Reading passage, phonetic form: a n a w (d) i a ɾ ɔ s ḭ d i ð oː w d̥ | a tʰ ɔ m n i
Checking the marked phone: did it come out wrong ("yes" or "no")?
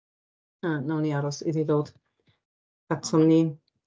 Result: yes